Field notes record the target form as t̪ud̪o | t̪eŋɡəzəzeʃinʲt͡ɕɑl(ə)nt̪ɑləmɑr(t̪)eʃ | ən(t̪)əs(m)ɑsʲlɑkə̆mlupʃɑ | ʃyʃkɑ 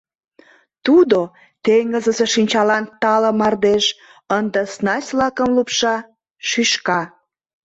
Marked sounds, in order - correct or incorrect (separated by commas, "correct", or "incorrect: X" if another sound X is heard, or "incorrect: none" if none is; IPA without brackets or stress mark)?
incorrect: ɑ, incorrect: d̪, incorrect: d̪, incorrect: n